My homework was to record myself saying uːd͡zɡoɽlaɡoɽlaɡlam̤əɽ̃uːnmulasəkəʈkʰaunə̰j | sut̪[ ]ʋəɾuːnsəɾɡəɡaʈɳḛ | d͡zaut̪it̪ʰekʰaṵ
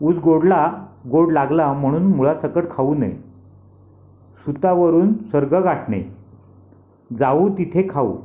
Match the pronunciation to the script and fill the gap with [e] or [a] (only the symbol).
a